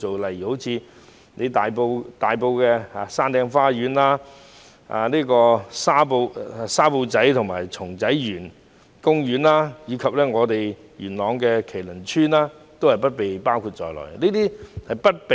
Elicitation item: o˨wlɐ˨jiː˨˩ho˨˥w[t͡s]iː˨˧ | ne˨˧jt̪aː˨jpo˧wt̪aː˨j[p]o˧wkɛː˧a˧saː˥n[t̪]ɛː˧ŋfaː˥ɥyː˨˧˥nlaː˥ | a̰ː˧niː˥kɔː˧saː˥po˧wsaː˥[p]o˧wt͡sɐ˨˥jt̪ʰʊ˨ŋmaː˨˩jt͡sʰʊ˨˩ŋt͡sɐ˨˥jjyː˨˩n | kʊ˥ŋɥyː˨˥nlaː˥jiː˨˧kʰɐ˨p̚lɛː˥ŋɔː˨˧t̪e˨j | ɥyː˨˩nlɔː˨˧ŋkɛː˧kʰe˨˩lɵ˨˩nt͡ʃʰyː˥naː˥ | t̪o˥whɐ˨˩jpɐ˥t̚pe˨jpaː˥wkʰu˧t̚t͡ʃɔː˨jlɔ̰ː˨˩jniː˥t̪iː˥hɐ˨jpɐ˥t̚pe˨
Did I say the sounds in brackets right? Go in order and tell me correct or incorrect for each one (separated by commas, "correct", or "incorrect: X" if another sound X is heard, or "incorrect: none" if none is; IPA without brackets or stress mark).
incorrect: t͡sʰ, correct, correct, correct